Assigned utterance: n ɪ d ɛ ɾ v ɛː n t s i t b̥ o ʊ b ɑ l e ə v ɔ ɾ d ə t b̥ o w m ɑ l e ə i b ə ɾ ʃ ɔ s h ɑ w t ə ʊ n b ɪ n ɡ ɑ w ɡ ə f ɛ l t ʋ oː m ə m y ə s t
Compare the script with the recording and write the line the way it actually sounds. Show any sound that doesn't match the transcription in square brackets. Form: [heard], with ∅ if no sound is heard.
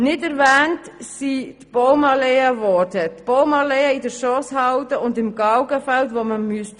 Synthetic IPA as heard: n ɪ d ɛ ɾ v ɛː n t s i t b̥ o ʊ [m] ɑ l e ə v ɔ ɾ d ə t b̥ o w m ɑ l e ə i [d] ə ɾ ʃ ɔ s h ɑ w t ə ʊ n [d] ɪ [m] ɡ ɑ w ɡ ə f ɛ l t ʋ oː m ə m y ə s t